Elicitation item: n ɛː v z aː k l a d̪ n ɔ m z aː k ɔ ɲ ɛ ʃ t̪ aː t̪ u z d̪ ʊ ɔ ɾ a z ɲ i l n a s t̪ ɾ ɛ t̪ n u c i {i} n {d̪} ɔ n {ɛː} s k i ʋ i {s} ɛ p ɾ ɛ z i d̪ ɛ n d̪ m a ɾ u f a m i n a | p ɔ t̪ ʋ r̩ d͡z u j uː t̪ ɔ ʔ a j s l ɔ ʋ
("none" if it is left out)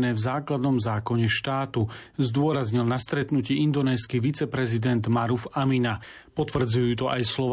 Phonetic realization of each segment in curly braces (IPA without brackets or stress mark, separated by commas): i, d̪, ɛː, t͡s